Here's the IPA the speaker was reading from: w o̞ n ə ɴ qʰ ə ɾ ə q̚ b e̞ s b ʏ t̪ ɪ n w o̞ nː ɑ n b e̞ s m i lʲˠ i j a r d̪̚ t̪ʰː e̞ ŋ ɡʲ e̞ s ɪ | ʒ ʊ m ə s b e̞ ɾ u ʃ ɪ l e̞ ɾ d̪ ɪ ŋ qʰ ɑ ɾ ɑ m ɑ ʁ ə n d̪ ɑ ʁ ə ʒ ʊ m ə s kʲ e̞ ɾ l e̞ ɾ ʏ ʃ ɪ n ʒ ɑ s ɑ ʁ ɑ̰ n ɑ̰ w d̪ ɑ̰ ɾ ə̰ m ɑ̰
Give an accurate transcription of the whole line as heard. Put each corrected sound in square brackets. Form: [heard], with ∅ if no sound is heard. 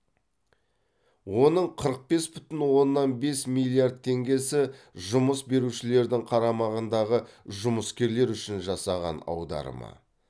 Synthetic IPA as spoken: w o̞ n ə ɴ qʰ ə ɾ ə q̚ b e̞ s b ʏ t̪ ɪ n w o̞ nː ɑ n b e̞ s m i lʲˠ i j a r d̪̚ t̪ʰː e̞ ŋ ɡʲ e̞ s ɪ | ʒ ʊ m ə s b e̞ ɾ u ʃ ɪ l e̞ ɾ d̪ ɪ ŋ qʰ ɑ ɾ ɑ m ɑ ʁ ə n d̪ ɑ ʁ ə ʒ ʊ m ə s kʲ e̞ ɾ l e̞ ɾ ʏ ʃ ɪ n ʒ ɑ s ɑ ʁ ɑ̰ n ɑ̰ w d̪ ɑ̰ ɾ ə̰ m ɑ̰